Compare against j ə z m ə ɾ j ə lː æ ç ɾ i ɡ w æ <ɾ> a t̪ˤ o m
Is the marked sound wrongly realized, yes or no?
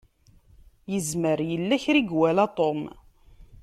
yes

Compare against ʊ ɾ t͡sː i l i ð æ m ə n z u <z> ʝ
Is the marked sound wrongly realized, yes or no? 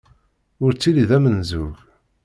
yes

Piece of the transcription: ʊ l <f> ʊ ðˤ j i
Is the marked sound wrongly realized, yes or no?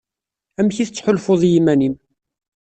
no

